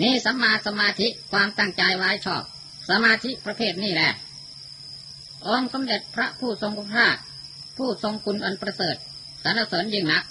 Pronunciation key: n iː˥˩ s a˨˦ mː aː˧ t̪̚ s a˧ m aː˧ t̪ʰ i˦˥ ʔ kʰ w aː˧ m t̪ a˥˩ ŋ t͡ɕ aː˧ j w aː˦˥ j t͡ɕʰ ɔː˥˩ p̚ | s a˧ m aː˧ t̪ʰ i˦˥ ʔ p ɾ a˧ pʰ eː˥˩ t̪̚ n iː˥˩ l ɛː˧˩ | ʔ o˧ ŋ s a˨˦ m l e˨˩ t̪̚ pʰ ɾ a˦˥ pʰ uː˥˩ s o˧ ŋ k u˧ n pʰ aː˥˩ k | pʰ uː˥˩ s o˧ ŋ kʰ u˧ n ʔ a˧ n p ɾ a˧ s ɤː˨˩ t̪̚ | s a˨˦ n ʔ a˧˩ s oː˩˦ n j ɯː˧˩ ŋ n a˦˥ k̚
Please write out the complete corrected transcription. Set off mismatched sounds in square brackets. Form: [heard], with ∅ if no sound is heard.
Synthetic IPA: n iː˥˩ s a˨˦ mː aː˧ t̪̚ s a˧ m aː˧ t̪ʰ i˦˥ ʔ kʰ w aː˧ m t̪ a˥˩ ŋ t͡ɕ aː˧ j w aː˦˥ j t͡ɕʰ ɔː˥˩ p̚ | s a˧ m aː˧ t̪ʰ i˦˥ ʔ p ɾ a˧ pʰ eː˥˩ t̪̚ n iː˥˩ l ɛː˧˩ | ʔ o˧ ŋ s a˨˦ m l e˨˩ t̪̚ pʰ ɾ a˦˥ pʰ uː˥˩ s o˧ ŋ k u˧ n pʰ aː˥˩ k | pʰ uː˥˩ s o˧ ŋ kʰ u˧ n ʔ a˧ n p ɾ a˧ s ɤː˨˩ t̪̚ | s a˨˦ n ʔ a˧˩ s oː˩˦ n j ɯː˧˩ ŋ n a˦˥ k̚